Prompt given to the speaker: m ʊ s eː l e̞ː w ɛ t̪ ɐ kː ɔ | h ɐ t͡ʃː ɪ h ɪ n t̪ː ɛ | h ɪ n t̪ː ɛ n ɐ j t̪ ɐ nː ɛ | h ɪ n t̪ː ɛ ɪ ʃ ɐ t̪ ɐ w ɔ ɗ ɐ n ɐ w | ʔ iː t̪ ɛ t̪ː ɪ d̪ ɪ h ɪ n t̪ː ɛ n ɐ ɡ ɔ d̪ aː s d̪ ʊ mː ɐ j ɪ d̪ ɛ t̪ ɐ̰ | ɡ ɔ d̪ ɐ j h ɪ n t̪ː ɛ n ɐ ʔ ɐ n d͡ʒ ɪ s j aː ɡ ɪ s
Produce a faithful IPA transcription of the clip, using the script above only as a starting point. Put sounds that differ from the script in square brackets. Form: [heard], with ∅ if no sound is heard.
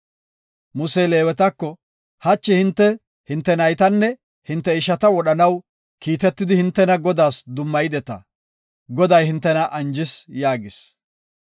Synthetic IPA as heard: m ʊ s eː l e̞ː w ɛ t̪ ɐ kː ɔ | h ɐ t͡ʃː ɪ h ɪ n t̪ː ɛ | h ɪ n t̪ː ɛ n ɐ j t̪ ɐ nː ɛ | h ɪ n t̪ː ɛ ɪ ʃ ɐ t̪ ɐ w ɔ ɗ ɐ n ɐ w | [k] iː t̪ ɛ t̪ː ɪ d̪ ɪ h ɪ n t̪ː ɛ n ɐ ɡ ɔ d̪ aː s d̪ ʊ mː ɐ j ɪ d̪ ɛ t̪ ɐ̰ | ɡ ɔ d̪ ɐ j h ɪ n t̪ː ɛ n ɐ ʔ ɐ n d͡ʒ ɪ s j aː ɡ ɪ s